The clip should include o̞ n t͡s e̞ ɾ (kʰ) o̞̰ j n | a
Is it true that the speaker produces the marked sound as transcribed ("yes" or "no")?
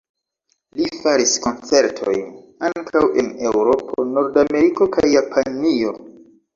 no